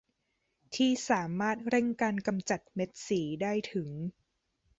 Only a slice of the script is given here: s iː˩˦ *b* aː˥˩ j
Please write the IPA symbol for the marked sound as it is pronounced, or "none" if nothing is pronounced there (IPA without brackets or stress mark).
d